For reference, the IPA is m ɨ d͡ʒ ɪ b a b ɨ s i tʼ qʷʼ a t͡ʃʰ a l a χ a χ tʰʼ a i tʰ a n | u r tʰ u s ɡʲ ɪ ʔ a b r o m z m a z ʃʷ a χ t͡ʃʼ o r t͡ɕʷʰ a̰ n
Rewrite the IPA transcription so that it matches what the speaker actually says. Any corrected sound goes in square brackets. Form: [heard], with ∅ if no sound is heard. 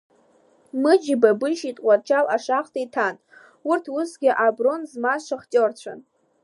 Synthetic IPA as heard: m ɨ d͡ʒ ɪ b a b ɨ [ʃ] i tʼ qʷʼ a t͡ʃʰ a l a [ʂ] a χ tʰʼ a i tʰ a n | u r tʰ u s ɡʲ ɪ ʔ a b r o [n] z m a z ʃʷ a χ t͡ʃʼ o r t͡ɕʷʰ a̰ n